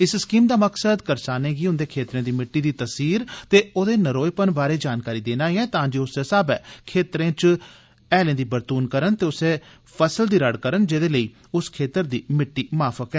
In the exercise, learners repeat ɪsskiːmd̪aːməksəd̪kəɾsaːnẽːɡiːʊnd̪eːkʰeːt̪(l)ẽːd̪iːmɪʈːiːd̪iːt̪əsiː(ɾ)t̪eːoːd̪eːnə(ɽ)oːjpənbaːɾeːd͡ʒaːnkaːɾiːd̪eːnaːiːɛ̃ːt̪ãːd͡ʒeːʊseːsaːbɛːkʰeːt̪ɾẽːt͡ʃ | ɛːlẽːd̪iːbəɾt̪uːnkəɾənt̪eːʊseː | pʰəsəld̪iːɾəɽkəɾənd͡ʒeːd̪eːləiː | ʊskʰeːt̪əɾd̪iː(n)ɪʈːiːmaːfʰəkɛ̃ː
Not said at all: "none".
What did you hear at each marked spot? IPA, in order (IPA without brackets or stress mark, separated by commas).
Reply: ɾ, ɾ, ɾ, m